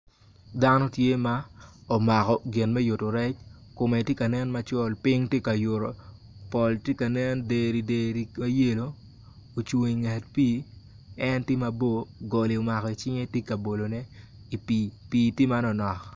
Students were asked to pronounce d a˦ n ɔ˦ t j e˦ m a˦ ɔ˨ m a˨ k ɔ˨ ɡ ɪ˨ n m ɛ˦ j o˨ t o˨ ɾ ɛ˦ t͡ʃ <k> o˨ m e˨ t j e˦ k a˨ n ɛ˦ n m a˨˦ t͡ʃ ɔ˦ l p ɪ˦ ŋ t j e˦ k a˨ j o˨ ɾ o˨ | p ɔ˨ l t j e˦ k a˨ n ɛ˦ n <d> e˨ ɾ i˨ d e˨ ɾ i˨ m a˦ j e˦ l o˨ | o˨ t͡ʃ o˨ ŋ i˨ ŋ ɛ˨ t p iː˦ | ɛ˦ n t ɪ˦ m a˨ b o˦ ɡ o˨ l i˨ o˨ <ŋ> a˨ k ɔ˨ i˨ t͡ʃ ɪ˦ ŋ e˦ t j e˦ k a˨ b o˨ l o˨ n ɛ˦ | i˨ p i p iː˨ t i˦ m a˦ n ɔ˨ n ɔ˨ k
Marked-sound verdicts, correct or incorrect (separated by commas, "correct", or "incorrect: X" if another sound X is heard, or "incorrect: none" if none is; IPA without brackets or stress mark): correct, correct, incorrect: m